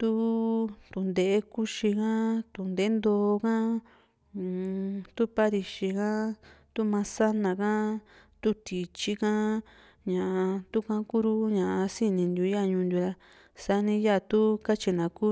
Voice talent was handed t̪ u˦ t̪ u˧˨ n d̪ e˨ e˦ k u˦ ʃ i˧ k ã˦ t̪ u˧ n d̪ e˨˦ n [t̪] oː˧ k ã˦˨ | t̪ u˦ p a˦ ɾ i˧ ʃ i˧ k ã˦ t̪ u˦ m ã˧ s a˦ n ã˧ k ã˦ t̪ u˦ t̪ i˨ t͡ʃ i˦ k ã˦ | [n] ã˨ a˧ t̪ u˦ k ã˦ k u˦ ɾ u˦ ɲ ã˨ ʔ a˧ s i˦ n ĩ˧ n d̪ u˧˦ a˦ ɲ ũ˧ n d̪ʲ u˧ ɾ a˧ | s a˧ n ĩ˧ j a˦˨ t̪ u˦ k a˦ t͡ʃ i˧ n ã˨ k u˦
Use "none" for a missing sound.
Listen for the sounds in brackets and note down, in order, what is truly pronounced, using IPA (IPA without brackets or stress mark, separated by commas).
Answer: d̪, ɲ